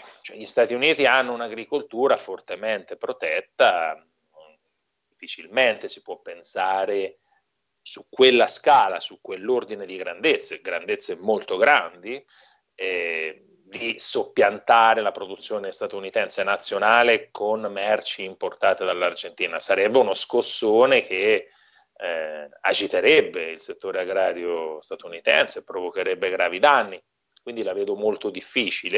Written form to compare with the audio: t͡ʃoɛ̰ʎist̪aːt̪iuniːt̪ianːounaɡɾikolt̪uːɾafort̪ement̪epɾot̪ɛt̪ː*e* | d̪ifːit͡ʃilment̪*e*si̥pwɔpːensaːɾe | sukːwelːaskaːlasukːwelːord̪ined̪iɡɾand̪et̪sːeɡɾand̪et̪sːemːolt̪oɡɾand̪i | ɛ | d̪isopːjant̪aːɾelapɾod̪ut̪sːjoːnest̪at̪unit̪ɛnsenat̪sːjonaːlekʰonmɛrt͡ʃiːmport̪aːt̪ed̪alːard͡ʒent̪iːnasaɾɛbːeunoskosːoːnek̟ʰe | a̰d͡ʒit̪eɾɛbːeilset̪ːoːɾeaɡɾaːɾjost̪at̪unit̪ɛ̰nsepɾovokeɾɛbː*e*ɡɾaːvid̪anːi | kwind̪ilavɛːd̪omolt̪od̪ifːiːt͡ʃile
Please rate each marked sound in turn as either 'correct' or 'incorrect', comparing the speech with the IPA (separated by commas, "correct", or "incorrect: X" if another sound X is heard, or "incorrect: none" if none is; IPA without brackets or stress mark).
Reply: incorrect: a, correct, correct